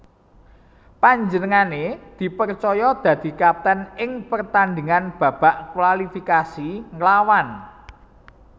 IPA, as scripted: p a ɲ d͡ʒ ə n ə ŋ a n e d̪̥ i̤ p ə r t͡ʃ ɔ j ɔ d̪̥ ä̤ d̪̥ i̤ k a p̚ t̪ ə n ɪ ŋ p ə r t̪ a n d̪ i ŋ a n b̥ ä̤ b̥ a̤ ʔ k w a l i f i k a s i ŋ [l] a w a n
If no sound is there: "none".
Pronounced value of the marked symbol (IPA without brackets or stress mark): l